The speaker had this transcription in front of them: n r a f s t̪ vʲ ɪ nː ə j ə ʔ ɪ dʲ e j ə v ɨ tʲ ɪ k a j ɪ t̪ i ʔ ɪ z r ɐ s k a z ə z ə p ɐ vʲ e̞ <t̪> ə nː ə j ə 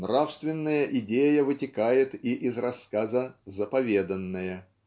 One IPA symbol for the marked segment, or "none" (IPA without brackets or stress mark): d̪